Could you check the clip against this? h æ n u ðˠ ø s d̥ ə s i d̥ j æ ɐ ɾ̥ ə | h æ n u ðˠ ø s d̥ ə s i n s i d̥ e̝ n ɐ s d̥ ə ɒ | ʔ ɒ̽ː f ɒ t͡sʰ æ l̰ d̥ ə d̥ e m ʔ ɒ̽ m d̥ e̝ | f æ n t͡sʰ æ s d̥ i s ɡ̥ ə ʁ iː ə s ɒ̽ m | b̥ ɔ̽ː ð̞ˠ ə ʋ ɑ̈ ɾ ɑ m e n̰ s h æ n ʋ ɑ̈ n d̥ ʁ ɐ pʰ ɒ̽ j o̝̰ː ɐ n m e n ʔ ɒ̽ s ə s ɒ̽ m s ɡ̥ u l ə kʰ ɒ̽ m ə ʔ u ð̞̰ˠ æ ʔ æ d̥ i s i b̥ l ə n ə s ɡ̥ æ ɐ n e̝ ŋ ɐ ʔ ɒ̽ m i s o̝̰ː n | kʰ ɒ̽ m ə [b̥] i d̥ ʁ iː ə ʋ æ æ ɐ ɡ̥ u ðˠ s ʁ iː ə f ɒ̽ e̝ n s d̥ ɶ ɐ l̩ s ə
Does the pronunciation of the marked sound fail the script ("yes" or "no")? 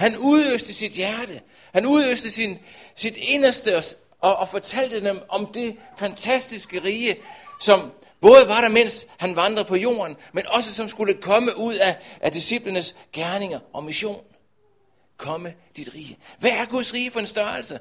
yes